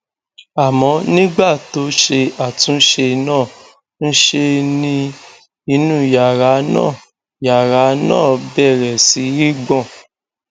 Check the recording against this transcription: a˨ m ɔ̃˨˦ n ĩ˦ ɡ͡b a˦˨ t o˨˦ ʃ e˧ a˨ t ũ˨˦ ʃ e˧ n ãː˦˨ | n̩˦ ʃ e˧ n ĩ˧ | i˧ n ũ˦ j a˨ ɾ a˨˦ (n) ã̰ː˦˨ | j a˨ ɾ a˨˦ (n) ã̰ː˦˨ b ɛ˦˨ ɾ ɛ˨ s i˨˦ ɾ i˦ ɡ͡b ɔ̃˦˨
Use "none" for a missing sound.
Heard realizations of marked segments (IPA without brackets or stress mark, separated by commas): n, n